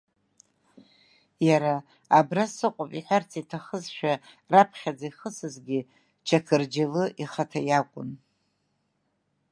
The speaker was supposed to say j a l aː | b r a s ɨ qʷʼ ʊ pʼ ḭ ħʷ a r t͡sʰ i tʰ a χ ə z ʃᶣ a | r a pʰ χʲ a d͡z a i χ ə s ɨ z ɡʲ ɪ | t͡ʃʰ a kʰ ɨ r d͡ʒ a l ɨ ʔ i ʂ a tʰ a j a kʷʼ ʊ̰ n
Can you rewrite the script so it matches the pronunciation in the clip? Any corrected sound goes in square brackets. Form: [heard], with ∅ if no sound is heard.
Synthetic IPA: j a [ɾ] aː | b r a s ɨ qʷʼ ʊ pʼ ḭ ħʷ a r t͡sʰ i tʰ a χ ə z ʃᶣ a | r a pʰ χʲ a d͡z a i χ ə s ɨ z ɡʲ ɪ | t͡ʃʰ a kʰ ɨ r d͡ʒ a l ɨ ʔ i [χ] a tʰ a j a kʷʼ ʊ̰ n

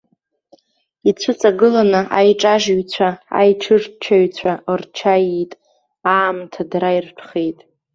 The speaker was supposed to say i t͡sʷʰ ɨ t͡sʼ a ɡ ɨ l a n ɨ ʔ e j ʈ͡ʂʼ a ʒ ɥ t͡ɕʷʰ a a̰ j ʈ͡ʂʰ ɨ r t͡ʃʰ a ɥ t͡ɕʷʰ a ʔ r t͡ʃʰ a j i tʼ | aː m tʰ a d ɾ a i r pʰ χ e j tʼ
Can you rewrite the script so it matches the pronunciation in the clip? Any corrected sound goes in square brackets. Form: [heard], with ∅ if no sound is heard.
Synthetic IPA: i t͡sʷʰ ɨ t͡sʼ a ɡ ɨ l a n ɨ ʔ [a] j ʈ͡ʂʼ a ʒ ɥ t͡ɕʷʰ a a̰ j ʈ͡ʂʰ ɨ r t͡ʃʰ a ɥ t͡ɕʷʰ a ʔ r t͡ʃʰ a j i tʼ | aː m tʰ a d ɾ a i r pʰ χ e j tʼ

